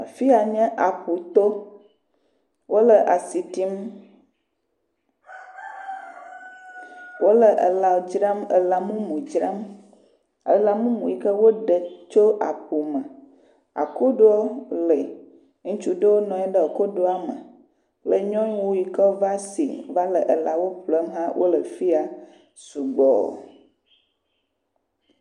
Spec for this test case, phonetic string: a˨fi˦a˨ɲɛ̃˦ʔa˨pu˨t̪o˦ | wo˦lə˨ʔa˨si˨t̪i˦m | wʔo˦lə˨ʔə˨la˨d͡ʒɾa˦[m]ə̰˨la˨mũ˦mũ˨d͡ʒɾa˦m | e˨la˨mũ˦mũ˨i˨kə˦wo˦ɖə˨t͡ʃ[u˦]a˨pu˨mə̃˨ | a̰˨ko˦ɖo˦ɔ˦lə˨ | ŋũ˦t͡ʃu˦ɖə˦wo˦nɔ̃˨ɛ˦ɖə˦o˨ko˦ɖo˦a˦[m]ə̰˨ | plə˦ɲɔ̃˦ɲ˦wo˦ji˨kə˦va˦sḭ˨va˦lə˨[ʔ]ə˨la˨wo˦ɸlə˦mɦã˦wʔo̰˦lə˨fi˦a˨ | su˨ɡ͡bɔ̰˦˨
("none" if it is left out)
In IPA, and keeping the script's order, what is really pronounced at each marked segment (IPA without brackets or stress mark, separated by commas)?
m, o˦, m, ʔ